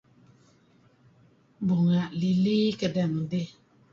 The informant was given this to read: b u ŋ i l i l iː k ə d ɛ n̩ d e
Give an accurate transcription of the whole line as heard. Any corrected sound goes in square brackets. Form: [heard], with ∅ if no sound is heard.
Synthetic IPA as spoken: b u ŋ [a] l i l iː k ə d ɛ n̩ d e